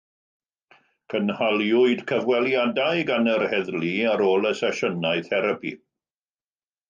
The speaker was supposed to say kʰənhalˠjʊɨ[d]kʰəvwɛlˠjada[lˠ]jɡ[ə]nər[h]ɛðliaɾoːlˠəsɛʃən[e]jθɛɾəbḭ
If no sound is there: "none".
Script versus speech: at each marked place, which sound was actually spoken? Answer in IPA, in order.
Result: d, none, a, h, a

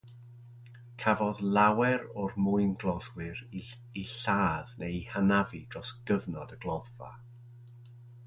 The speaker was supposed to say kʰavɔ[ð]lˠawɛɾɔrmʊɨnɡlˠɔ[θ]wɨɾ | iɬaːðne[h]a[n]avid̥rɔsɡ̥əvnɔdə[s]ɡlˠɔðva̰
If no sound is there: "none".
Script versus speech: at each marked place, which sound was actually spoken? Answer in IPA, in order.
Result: ð, ð, h, n, none

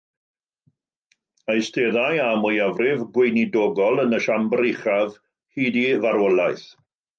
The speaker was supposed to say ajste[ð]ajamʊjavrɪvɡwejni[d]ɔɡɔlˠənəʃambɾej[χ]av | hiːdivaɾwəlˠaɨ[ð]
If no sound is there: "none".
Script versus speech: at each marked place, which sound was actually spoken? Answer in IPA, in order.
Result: ð, d, χ, θ

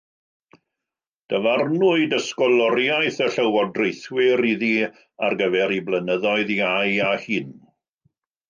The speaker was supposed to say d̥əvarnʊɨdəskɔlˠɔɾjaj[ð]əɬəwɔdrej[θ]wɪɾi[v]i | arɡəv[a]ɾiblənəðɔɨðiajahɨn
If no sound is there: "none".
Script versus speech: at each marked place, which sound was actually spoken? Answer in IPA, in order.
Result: θ, θ, ð, ɛ

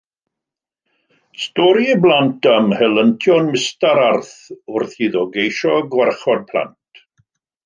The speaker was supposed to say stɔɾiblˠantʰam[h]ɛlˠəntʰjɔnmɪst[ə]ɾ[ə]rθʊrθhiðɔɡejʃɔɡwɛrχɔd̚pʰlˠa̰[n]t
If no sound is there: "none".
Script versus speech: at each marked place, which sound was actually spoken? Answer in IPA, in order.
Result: h, a, a, n

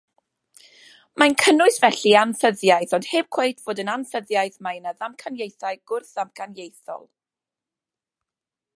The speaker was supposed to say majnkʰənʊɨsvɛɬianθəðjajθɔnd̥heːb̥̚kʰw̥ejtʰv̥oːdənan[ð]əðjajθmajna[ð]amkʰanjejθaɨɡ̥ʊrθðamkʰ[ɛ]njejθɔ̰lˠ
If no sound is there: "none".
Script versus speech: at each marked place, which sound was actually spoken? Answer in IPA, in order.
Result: θ, ð, a

